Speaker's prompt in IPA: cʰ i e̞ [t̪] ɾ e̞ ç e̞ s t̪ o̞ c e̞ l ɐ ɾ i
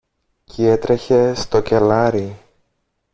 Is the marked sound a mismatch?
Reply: no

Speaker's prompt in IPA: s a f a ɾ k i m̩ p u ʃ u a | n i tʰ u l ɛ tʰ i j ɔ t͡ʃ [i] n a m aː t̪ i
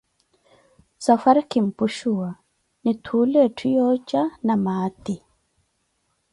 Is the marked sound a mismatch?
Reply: yes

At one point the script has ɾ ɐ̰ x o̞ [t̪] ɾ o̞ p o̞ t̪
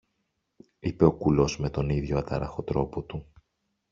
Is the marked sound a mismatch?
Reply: no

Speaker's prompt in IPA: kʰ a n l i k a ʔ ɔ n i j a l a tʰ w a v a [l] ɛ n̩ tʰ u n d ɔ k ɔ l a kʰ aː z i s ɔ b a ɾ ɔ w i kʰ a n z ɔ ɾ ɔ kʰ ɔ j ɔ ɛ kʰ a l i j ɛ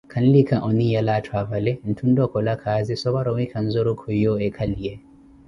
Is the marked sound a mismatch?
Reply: no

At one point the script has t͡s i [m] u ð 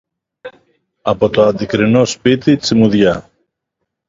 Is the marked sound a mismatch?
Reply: no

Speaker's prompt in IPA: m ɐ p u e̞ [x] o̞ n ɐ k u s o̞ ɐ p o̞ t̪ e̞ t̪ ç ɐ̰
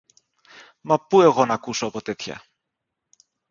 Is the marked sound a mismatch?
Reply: yes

